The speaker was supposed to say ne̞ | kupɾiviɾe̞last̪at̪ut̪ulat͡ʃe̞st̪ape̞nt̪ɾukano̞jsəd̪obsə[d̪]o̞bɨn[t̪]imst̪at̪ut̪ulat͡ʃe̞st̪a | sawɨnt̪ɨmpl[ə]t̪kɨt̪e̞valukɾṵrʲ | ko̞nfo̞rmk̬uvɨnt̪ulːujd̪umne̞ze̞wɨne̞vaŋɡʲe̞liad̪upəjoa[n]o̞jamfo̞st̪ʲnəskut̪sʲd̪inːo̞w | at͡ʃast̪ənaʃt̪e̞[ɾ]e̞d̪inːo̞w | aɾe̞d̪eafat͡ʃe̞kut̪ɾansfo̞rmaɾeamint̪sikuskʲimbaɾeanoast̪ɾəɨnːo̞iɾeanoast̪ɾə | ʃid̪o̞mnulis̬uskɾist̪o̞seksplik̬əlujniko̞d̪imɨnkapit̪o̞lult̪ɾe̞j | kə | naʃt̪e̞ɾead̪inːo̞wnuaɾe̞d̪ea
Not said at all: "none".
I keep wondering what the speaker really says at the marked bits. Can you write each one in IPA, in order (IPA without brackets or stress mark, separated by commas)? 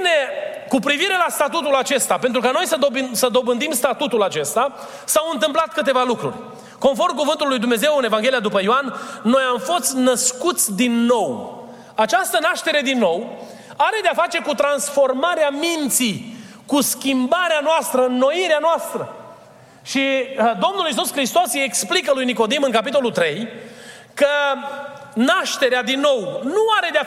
d̪, d̪, a, nː, ɾ